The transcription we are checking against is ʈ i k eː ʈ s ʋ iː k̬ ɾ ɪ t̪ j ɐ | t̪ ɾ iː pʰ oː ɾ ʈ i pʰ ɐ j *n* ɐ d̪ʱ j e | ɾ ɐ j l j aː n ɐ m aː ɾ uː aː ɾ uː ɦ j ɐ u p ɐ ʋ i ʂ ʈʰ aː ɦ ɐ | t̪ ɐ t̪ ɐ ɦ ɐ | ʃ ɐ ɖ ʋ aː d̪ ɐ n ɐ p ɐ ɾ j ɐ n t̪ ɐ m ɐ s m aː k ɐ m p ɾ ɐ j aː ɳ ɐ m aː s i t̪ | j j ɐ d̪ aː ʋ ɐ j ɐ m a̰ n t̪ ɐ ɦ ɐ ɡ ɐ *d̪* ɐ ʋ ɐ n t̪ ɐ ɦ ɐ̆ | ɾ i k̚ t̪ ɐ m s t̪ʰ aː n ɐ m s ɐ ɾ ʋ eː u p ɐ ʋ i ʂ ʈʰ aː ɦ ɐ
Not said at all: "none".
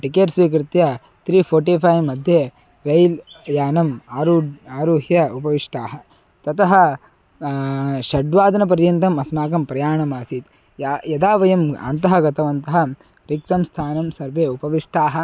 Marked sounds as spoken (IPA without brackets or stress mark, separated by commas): m, t̪